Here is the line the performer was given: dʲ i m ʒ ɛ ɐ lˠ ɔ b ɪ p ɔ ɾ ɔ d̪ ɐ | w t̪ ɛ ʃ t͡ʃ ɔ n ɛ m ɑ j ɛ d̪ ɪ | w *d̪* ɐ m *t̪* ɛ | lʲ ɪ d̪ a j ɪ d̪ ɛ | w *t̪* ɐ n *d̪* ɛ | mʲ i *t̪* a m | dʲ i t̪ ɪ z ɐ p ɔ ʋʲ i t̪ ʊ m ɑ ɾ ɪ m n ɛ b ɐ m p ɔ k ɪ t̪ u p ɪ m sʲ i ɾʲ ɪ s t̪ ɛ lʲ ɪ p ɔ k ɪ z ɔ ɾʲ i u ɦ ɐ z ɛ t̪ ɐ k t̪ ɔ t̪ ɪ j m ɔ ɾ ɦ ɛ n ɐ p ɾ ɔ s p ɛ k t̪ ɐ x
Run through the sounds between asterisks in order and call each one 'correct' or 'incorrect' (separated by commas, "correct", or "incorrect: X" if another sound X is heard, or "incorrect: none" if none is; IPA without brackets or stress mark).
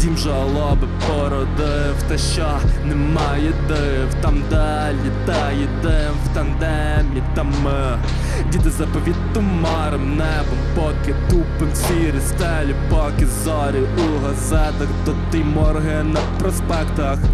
incorrect: t̪, incorrect: d̪, correct, correct, correct